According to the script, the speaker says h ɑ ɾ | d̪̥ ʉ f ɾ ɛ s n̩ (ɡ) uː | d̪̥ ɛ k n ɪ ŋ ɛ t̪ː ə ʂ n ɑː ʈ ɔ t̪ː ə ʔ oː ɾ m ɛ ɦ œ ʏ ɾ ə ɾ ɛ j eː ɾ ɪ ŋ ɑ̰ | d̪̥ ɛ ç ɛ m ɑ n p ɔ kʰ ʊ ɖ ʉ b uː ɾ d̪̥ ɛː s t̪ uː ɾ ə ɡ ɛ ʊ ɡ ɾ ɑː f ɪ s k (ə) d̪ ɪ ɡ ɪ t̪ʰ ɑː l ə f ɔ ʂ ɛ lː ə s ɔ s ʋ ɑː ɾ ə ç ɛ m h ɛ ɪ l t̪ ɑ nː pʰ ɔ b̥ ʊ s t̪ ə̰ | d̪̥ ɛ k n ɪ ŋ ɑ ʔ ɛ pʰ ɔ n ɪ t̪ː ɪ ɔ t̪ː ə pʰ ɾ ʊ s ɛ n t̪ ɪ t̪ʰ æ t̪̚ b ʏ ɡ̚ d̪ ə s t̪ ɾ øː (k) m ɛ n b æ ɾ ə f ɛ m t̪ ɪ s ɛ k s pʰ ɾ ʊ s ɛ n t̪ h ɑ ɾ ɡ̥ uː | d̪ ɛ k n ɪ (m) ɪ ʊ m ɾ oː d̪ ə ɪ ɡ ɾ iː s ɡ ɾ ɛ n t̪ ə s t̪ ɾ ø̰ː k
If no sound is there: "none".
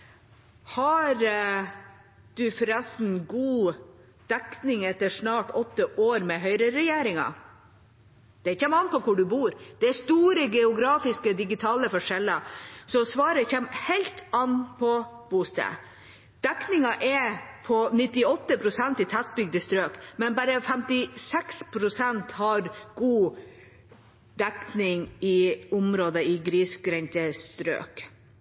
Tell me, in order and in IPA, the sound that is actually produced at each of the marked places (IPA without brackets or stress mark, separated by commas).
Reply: ɡ, ə, k, ŋ